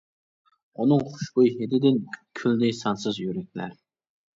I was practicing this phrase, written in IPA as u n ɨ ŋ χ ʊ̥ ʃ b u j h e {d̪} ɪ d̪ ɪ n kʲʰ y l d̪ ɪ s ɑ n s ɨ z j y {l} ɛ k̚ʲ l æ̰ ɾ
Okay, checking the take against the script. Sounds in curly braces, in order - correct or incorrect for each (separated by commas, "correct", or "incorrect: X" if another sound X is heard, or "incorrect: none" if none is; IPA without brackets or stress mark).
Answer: correct, incorrect: ɾ